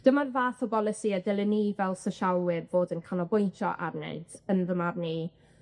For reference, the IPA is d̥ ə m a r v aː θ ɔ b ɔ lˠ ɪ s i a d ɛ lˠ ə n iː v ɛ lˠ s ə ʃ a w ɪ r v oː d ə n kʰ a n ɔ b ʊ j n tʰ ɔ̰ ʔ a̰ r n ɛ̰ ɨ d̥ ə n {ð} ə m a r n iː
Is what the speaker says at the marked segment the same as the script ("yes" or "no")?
yes